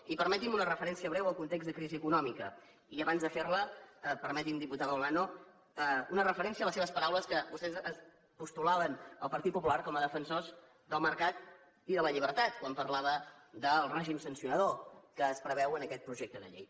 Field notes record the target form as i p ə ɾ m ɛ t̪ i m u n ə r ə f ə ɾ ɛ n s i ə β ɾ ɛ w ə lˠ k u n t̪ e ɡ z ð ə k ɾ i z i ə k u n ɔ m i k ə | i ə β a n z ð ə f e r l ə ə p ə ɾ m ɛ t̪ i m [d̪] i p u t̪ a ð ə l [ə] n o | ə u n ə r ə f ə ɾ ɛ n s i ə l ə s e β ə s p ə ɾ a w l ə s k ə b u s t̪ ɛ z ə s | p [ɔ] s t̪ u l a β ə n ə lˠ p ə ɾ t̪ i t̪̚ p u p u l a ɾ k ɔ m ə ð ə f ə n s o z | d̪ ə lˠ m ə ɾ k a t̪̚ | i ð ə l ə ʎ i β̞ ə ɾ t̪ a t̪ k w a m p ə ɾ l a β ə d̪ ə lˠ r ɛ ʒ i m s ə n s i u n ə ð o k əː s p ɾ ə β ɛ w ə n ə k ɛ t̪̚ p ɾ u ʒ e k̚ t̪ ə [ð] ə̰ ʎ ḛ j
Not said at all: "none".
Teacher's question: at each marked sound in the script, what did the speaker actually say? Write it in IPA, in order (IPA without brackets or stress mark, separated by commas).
d̪, a, u, ð